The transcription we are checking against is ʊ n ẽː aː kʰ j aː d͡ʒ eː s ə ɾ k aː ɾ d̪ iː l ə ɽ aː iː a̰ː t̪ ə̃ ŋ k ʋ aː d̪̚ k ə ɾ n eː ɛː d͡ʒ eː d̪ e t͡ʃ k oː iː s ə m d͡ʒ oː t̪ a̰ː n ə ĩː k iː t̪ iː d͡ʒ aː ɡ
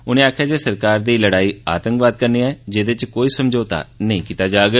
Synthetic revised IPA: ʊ n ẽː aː kʰ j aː d͡ʒ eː s ə ɾ k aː ɾ d̪ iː l ə ɽ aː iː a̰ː t̪ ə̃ ŋ k ʋ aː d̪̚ k ə ɾ n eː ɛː d͡ʒ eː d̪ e t͡ʃ k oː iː s ə m d͡ʒ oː t̪ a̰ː n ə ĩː k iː t̪ aː d͡ʒ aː ɡ